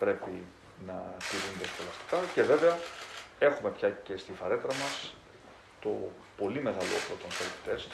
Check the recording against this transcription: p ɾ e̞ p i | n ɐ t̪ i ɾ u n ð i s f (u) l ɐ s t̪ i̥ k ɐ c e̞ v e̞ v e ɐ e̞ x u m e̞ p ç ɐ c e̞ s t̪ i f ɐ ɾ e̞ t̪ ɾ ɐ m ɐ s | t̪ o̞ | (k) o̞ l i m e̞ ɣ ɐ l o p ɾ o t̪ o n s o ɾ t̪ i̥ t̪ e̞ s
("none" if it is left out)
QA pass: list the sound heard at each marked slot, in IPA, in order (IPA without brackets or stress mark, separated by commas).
o, p